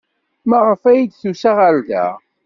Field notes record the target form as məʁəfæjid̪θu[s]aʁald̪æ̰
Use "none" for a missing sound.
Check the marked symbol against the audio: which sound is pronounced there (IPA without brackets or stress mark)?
s